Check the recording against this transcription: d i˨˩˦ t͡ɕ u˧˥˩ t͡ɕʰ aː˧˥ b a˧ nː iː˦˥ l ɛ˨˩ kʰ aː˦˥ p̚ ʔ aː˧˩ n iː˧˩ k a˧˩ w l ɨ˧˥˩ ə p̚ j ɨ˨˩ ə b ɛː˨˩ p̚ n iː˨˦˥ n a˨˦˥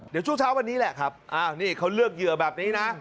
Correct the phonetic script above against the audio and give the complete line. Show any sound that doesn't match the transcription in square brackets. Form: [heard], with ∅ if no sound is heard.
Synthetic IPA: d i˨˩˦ t͡ɕ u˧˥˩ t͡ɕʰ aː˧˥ [w] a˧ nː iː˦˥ l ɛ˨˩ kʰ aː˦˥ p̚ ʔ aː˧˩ n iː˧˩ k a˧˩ w l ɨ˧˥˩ ə [k̚] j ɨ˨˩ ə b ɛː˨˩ p̚ n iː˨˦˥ n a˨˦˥